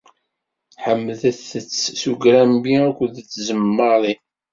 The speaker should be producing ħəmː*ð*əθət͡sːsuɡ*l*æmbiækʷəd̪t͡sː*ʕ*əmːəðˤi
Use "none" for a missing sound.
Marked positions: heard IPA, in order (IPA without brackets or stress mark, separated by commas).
ð, ɾ, z